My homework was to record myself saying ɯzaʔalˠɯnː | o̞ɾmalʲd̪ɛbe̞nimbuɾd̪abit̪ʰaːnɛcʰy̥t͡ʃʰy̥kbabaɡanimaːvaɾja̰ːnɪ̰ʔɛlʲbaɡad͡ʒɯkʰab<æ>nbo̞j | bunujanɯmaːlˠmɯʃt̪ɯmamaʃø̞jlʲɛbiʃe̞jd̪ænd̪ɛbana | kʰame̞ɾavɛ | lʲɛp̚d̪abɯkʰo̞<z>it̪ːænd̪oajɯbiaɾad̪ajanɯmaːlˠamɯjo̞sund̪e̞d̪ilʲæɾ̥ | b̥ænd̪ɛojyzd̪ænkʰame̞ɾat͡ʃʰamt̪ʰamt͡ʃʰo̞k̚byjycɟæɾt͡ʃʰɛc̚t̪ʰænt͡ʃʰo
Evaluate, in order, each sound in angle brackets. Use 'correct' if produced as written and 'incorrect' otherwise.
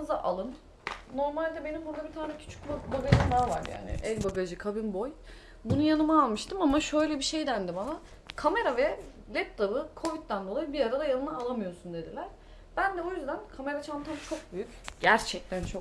incorrect: i, incorrect: v

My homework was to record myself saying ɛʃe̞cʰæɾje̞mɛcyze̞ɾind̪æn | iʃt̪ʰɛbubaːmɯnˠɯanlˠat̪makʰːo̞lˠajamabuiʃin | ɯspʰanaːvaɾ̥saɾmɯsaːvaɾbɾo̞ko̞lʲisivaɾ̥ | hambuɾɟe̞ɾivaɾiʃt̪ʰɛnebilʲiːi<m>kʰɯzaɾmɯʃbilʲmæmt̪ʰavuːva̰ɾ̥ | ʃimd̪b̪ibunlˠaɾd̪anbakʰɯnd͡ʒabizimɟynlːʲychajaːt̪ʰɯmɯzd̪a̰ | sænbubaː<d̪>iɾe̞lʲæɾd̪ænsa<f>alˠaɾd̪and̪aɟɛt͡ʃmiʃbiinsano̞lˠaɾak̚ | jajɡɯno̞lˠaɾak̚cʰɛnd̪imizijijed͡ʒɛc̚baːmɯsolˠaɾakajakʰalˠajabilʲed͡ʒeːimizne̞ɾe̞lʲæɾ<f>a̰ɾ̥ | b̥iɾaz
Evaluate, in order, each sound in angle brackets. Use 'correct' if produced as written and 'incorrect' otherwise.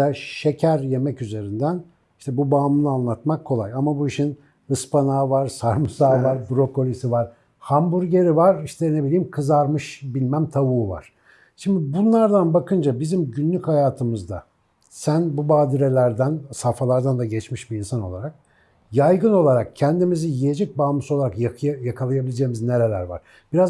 correct, correct, correct, incorrect: v

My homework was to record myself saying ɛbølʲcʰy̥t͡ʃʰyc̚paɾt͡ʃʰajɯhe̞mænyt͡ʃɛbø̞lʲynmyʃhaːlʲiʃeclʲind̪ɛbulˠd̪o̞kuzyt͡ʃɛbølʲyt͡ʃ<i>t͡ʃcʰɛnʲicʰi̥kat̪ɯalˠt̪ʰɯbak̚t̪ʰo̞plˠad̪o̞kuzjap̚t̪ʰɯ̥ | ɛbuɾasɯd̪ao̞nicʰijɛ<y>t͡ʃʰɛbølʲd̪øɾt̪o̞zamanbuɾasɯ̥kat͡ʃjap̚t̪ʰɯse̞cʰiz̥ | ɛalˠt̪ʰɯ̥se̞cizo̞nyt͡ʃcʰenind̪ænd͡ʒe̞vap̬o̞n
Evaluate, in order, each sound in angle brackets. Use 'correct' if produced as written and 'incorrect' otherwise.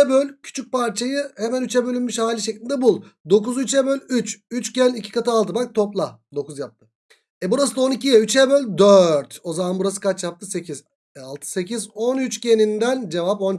incorrect: y, correct

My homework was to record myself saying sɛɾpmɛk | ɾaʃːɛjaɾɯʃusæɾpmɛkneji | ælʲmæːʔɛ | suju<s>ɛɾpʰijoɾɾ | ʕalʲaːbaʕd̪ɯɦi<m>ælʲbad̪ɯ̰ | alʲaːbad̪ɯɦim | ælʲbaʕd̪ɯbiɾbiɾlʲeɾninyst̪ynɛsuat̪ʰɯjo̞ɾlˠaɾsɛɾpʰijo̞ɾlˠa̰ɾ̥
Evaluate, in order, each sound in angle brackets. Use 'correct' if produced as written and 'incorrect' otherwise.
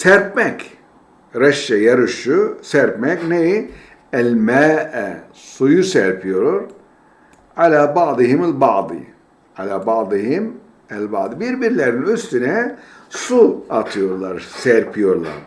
correct, correct

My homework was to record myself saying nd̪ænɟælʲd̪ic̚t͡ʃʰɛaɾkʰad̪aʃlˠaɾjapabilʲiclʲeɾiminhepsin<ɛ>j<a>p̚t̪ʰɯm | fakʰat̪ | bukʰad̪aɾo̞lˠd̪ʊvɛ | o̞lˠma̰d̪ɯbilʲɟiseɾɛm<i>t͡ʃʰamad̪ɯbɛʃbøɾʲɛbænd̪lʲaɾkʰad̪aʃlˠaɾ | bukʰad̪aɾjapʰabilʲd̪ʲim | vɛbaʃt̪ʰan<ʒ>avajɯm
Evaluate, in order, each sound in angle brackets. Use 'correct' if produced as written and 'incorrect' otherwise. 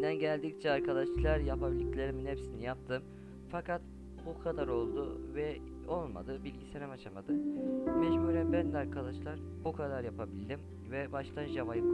incorrect: i, correct, incorrect: a, correct

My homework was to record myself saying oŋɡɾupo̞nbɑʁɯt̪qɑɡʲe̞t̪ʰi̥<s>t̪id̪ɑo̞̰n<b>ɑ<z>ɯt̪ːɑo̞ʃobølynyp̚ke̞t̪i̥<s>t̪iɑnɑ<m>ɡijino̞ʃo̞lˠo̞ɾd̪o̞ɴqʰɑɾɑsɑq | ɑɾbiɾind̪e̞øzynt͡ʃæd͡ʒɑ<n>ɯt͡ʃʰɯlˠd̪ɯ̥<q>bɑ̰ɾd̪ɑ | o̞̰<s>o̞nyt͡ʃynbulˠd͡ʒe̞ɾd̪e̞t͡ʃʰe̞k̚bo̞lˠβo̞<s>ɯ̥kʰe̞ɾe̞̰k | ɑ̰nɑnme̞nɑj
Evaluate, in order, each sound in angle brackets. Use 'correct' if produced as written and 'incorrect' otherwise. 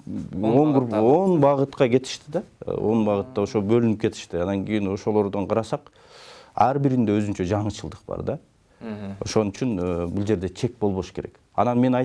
incorrect: ʃ, correct, incorrect: ʁ, incorrect: ʃ, incorrect: ŋ, incorrect: ɴ, correct, incorrect: ʃ, incorrect: ʃ

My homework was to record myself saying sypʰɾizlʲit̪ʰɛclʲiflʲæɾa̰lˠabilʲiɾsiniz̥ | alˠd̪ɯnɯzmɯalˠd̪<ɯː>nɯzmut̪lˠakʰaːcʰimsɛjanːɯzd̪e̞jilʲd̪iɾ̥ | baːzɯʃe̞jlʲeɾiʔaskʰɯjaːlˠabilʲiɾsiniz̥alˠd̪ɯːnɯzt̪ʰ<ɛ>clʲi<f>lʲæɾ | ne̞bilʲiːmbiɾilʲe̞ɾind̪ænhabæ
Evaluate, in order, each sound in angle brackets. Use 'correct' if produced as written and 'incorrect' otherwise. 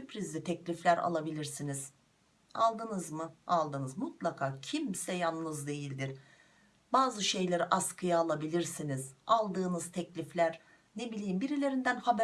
incorrect: ɯ, correct, correct

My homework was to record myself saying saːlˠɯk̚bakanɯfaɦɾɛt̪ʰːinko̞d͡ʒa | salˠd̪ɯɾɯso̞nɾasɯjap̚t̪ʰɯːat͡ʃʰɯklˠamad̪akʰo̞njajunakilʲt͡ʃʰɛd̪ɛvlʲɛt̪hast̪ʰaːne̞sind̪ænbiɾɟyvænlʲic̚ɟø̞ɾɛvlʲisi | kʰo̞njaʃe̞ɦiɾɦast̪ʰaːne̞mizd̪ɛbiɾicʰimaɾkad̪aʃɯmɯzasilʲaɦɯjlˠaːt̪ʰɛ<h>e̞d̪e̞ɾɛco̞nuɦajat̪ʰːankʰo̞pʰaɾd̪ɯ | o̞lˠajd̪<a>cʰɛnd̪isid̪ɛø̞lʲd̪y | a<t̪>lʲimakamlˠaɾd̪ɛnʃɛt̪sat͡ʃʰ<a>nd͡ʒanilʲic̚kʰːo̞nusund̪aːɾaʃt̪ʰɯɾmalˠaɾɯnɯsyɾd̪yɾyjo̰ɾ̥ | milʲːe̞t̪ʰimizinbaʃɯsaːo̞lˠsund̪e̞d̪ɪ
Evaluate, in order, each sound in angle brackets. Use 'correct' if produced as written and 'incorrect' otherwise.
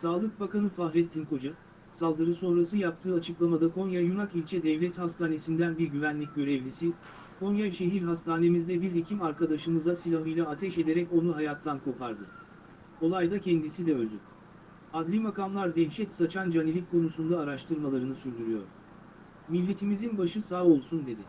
incorrect: ʃ, correct, incorrect: d̪, correct

